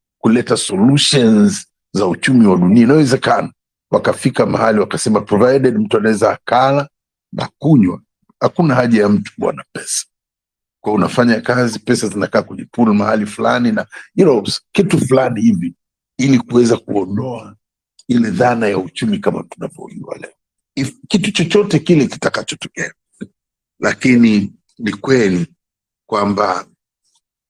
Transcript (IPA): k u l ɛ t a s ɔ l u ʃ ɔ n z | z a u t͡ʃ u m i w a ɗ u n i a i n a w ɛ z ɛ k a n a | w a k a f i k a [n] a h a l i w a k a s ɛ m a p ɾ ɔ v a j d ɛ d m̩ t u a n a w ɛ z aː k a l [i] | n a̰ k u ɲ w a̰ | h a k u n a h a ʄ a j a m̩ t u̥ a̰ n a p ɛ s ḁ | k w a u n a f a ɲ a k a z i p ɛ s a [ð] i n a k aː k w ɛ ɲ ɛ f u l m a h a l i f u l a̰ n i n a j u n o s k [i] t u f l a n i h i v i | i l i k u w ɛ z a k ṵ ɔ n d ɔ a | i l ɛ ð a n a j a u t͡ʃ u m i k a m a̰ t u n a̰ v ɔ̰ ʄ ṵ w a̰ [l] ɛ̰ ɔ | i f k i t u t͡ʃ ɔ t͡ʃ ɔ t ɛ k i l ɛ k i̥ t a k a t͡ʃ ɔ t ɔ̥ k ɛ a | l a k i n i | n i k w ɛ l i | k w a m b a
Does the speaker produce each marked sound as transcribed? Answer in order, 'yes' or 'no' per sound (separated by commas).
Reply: no, no, no, yes, yes